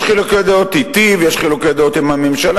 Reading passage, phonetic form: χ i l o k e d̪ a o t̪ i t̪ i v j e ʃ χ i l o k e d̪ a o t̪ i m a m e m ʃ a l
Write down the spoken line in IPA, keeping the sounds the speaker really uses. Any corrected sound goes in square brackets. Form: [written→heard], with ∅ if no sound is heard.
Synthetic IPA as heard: χ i l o k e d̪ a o t̪ i t̪ i v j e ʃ χ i l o k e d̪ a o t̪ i m a m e m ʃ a l